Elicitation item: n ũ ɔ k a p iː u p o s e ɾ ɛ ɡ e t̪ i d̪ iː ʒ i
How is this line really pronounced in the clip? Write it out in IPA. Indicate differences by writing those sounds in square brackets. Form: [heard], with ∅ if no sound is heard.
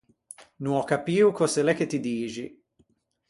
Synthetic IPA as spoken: n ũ ɔ k a p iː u [k] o s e [l] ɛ [k] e t̪ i d̪ iː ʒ i